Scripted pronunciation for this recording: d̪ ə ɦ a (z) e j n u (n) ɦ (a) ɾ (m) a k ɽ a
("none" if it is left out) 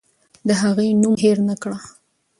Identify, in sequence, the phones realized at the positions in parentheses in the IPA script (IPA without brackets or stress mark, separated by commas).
ɣ, m, e, n